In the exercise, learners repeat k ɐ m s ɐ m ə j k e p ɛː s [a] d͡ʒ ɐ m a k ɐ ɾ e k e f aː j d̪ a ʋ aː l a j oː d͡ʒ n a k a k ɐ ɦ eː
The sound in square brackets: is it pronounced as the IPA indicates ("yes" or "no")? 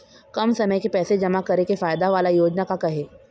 no